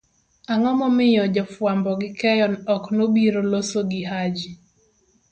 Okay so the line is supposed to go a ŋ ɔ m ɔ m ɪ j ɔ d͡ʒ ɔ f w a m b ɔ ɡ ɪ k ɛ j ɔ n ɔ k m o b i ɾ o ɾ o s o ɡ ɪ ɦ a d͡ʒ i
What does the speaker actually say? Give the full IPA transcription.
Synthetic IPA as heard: a ŋ ɔ m ɔ m ɪ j ɔ d͡ʒ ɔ f w a m b ɔ ɡ ɪ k ɛ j ɔ n ɔ k n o b i ɾ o l o s o ɡ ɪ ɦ a d͡ʒ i